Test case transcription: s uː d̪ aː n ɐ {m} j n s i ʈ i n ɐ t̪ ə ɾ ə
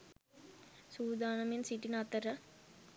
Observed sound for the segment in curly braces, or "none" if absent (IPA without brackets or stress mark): m